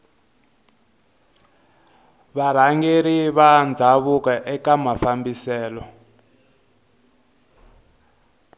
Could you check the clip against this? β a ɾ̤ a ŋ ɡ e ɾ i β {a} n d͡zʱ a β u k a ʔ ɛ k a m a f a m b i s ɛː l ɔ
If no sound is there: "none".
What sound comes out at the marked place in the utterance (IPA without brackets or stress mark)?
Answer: a